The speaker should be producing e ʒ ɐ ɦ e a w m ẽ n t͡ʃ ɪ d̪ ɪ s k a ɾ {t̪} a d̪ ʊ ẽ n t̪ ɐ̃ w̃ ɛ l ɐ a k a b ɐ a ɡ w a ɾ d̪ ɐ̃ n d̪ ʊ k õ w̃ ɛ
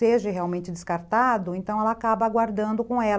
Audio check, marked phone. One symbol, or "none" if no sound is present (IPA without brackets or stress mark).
t̪